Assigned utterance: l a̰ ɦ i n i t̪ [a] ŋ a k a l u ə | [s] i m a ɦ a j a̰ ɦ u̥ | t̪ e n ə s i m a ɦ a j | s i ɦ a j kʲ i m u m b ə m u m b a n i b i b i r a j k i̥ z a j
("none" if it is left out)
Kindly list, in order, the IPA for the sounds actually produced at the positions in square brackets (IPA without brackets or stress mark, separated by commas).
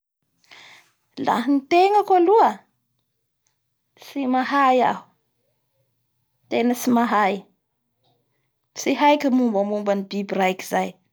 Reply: e, s